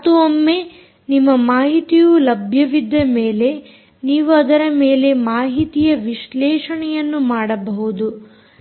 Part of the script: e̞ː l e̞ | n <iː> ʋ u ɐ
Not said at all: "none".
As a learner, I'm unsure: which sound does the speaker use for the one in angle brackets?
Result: iː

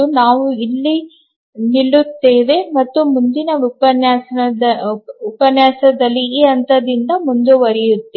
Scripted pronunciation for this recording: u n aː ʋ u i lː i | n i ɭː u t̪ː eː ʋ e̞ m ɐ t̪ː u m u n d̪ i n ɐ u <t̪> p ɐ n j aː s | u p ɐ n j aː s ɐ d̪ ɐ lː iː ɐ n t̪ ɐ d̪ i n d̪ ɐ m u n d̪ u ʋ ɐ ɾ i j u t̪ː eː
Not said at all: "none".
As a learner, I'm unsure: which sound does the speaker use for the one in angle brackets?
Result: none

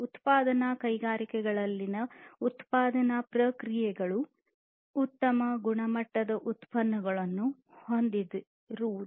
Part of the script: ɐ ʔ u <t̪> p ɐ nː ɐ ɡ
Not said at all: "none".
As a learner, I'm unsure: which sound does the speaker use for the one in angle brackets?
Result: t̪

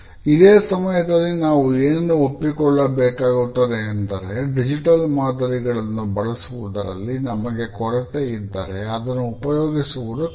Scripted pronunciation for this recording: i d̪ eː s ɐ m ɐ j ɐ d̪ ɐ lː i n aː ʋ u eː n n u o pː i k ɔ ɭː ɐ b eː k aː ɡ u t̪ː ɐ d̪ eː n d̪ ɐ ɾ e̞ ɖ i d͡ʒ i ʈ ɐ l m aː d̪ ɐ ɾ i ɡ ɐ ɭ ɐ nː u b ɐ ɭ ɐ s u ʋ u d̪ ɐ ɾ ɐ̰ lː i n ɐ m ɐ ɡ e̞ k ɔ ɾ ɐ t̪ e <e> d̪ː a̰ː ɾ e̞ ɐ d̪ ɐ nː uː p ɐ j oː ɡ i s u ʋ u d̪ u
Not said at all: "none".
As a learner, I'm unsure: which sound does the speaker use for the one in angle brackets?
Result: i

